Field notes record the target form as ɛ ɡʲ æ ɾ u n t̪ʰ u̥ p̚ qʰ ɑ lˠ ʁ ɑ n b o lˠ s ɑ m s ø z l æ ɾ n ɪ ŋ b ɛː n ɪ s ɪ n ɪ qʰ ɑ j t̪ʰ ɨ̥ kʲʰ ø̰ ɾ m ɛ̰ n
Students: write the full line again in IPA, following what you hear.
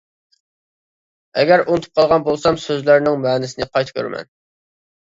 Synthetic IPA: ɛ ɡʲ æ ɾ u n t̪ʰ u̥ p̚ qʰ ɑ lˠ ʁ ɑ n b o lˠ s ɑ m s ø z l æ ɾ n ɪ ŋ m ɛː n ɪ s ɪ n ɪ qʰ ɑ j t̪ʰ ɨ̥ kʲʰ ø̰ ɾ m ɛ̰ n